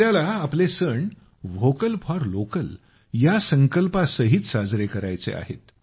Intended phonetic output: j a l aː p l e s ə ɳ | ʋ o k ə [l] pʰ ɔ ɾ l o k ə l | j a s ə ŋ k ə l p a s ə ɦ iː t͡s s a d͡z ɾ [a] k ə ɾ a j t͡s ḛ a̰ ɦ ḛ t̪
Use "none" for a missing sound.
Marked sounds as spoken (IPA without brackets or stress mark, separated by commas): l, e